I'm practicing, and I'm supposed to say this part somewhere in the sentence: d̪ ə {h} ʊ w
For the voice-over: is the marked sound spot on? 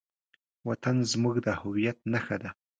yes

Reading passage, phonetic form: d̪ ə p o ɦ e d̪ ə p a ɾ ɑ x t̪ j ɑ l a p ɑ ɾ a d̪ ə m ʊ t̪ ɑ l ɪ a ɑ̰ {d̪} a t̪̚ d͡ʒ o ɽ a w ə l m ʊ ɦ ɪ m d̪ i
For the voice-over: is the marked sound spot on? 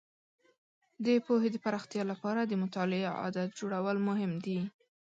yes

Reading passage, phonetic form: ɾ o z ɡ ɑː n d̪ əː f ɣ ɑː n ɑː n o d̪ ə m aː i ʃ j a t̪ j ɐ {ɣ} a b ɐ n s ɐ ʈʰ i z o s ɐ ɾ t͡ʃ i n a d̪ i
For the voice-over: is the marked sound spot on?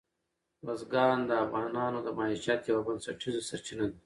no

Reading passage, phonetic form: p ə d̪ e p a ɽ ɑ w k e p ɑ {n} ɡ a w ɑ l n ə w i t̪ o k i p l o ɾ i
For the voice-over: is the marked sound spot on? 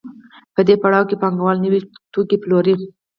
no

